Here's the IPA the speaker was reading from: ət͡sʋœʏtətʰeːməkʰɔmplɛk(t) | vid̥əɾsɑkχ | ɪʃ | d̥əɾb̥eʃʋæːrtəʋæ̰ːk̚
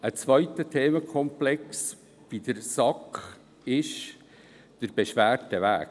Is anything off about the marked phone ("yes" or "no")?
yes